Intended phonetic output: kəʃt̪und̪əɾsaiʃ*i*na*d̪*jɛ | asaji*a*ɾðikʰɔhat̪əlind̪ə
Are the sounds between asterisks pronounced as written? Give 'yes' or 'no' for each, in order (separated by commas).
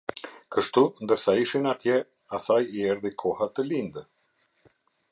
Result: yes, no, no